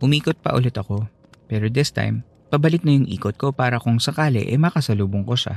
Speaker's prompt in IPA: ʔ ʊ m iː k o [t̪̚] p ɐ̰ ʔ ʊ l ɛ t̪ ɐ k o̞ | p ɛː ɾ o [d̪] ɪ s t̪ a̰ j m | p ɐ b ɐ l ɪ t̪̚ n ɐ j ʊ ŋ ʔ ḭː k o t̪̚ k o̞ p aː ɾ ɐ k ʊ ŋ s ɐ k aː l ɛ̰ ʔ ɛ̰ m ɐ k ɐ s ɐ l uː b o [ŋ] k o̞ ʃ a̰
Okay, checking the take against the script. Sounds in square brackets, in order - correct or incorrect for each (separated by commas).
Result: correct, correct, correct